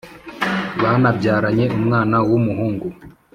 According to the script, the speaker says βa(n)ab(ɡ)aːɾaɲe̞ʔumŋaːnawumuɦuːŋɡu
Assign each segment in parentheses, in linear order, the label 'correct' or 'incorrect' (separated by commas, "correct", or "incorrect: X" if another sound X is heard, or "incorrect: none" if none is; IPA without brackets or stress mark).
correct, incorrect: ɟ